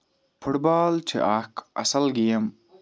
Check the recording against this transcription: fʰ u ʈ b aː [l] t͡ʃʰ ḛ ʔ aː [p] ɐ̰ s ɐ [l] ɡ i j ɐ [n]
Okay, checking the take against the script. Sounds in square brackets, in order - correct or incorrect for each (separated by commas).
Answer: correct, incorrect, correct, incorrect